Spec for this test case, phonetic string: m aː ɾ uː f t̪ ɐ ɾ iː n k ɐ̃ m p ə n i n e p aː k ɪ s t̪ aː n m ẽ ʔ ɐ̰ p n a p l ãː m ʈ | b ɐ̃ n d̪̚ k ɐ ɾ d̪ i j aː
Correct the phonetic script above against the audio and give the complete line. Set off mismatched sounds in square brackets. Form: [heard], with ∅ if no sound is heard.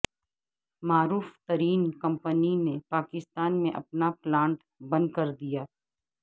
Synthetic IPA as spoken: m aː ɾ uː f t̪ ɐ ɾ iː n k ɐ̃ m p ə n i n e p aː k ɪ s t̪ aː n m ẽ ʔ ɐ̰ p n a p l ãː [ɳ] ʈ | b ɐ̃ n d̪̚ k ɐ ɾ d̪ i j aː